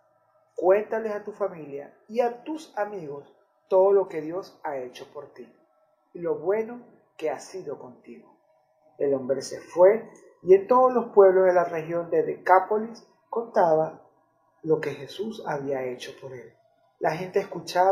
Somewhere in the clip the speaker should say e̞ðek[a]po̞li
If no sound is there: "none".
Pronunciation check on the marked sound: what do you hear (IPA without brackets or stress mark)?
a